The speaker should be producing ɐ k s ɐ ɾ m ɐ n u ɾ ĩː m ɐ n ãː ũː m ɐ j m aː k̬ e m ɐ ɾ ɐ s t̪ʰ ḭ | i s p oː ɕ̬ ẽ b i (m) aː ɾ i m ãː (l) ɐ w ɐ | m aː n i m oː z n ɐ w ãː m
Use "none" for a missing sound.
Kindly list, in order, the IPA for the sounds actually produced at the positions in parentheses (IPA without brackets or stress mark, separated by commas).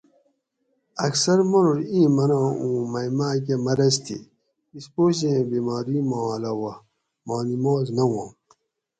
m, l